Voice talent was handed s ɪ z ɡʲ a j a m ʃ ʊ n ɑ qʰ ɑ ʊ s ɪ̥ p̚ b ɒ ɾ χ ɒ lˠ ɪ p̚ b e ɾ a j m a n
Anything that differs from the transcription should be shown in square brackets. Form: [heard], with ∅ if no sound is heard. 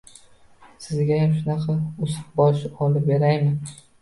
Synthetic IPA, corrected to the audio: s ɪ z ɡʲ a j a m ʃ ʊ n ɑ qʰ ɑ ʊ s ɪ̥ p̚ b ɒ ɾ [ʃ] ɒ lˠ ɪ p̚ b e ɾ a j m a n